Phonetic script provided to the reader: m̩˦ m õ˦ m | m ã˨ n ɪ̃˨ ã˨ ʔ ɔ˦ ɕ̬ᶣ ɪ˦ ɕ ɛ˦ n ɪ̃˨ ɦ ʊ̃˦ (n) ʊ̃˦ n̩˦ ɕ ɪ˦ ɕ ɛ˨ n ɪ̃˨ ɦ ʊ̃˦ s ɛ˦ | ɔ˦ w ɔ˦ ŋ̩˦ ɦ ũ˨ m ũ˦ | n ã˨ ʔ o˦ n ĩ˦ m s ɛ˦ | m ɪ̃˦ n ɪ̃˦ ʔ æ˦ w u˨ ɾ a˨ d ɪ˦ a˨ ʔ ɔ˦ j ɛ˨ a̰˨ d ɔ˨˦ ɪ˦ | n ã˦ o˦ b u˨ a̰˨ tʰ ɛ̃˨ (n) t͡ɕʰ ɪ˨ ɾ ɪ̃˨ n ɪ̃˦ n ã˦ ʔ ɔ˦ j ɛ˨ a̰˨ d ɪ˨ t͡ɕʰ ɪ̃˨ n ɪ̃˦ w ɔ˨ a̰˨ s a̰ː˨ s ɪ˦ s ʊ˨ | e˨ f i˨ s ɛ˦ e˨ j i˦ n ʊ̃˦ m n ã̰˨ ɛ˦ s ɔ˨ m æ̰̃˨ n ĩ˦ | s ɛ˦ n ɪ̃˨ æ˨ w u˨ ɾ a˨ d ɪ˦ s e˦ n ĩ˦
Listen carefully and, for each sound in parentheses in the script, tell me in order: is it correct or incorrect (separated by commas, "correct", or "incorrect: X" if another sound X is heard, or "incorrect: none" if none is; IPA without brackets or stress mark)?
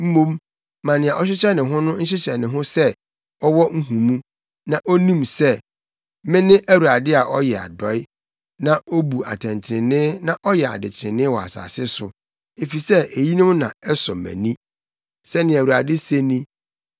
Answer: correct, correct